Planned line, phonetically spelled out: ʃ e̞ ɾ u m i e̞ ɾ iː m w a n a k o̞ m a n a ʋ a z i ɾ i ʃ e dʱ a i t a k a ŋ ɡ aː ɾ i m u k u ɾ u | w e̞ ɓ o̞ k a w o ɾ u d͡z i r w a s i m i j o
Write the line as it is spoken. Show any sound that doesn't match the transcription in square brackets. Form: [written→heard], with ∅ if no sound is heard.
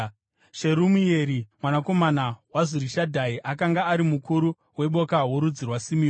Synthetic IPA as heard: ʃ e̞ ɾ u m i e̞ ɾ [iː→i] m w a n a k o̞ m a n a [ʋ→w] a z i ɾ i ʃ [e→a] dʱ a i [t→ʔ] a k a ŋ ɡ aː ɾ i m u k u ɾ u | w e̞ ɓ o̞ k a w o ɾ u d͡z i r w a s i m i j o